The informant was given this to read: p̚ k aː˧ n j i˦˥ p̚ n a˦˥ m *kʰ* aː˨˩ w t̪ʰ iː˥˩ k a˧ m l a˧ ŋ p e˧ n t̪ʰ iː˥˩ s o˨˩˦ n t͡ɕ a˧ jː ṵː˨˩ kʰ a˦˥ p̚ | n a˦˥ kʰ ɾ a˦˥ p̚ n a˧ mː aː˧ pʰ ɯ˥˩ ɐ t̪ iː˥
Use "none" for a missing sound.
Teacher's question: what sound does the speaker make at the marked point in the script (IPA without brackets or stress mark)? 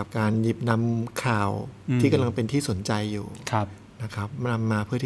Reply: kʰ